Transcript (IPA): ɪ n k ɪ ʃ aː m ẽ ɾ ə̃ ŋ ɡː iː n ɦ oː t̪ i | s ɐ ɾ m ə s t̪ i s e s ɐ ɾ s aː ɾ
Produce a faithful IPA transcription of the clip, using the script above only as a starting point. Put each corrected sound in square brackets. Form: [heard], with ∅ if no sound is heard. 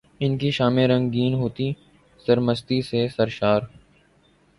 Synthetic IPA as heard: ɪ n k [i] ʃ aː m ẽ ɾ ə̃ ŋ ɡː iː n ɦ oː t̪ i | s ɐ ɾ m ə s t̪ i s e s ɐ ɾ [ʃ] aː ɾ